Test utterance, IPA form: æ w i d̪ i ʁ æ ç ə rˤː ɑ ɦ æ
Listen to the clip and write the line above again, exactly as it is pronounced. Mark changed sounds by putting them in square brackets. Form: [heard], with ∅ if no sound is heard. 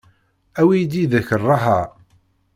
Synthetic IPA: æ w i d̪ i [ð] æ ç ə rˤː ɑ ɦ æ